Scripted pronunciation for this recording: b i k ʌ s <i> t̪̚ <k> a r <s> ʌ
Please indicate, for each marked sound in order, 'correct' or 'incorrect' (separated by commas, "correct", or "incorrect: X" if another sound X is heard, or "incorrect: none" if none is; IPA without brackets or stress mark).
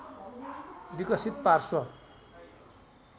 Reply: correct, incorrect: p, correct